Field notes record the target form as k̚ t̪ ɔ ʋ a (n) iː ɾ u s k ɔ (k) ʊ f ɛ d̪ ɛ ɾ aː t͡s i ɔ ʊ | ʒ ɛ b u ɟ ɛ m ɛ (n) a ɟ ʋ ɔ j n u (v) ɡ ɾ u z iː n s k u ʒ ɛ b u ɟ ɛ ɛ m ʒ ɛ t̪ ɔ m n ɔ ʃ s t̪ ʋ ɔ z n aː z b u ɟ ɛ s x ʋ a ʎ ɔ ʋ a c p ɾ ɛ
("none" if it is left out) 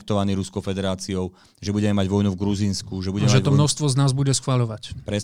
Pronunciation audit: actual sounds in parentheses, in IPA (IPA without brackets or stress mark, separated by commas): n, none, m, v